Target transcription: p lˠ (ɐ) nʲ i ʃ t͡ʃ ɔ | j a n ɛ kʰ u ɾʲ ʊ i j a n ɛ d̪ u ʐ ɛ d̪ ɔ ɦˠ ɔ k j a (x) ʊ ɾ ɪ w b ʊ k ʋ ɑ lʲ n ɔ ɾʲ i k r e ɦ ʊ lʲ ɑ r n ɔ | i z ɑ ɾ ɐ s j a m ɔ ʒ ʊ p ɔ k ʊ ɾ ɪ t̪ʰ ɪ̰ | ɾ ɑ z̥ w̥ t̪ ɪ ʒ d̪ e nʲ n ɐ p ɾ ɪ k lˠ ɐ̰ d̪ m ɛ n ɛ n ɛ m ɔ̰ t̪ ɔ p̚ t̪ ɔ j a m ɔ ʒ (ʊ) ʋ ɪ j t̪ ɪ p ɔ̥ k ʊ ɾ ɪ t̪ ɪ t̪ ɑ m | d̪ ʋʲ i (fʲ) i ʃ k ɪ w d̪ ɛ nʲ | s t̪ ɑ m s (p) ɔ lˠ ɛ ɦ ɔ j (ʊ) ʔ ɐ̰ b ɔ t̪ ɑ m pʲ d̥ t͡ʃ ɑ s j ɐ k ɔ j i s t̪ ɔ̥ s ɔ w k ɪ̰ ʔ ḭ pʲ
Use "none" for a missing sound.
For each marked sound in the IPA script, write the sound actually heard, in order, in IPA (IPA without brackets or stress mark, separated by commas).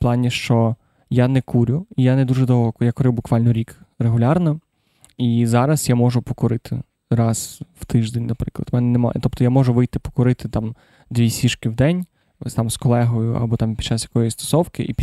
ɑ, k, ʊ, sʲ, k, ʊ